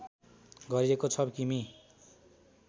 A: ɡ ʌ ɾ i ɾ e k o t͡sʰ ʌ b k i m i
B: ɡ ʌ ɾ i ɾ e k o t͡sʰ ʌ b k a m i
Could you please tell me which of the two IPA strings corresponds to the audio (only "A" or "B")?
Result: A